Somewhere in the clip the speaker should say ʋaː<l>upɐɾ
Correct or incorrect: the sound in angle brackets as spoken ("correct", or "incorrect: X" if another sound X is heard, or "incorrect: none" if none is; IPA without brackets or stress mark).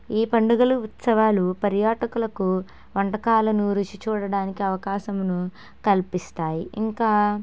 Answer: correct